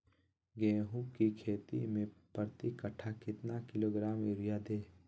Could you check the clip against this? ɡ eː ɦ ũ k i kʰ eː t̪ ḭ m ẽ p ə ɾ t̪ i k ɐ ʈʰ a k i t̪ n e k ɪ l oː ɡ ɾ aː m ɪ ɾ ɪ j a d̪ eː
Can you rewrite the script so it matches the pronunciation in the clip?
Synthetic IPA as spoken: ɡ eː ɦ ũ k i kʰ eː t̪ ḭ m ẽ p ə ɾ t̪ i k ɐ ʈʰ a k ɪ t̪ n a k ɪ l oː ɡ ɾ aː m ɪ ɾ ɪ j a d̪ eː